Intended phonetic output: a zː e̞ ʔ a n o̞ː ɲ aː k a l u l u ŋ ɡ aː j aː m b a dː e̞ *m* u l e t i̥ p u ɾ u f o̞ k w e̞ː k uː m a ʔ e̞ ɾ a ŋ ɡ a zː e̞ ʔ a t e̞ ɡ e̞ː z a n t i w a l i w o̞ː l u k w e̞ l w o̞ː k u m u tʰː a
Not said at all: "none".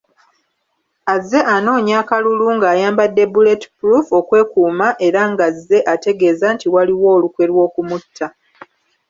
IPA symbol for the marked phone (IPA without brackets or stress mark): b